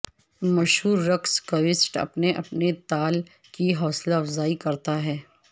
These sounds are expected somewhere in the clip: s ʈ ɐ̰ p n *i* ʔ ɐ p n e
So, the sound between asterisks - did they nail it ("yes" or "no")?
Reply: no